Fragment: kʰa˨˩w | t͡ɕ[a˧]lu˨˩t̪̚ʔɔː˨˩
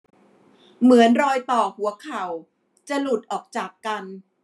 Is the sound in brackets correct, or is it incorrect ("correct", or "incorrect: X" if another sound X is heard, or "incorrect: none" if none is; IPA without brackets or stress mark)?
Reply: incorrect: a˨˩